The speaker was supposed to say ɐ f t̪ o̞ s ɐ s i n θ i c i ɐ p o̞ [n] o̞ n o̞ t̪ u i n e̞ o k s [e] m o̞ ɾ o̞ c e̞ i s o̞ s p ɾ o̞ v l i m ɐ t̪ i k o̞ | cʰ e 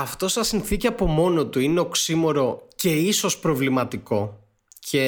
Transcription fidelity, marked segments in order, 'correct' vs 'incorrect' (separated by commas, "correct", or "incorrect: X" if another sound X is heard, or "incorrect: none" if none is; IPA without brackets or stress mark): incorrect: m, incorrect: i